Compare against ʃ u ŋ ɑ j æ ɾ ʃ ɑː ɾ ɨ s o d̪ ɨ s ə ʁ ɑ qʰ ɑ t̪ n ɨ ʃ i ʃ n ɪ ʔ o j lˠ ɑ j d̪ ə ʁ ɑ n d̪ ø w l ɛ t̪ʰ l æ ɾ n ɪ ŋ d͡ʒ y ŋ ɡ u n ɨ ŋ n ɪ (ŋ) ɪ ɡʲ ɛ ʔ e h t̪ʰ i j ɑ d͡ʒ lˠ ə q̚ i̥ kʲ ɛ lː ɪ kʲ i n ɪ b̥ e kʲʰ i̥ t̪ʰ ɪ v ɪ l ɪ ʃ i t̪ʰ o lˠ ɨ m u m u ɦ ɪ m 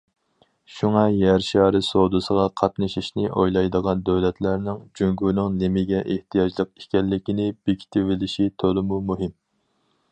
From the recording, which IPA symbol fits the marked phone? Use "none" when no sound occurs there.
m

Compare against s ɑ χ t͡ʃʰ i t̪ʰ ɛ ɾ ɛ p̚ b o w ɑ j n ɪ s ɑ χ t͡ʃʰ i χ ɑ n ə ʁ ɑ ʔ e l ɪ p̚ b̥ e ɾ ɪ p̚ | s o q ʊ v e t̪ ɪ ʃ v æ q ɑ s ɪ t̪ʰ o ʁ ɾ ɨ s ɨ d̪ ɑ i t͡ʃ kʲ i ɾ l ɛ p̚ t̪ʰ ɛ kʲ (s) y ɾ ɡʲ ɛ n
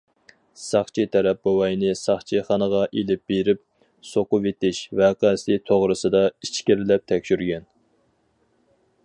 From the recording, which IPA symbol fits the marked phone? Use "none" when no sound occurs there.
ʃ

